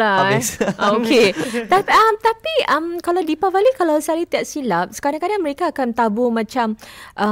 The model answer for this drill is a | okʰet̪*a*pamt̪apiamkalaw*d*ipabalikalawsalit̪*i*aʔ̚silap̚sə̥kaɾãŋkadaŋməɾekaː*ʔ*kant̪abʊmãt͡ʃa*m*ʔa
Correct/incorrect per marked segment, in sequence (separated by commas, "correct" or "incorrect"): correct, correct, correct, incorrect, correct